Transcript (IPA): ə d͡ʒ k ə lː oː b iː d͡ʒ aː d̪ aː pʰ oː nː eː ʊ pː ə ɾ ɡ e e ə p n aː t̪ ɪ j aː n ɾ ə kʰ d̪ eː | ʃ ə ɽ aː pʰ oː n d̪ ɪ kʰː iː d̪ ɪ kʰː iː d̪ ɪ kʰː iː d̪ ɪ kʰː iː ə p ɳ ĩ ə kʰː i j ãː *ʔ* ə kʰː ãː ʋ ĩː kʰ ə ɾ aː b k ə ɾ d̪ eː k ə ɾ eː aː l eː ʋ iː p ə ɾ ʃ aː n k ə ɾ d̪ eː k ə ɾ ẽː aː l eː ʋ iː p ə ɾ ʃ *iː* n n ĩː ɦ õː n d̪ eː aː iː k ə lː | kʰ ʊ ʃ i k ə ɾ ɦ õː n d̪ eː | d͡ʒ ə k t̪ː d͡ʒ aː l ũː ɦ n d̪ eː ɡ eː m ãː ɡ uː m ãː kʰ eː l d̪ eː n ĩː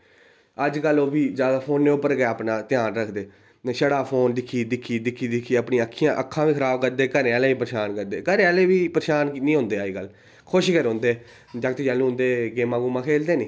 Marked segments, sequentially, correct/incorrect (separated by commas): correct, incorrect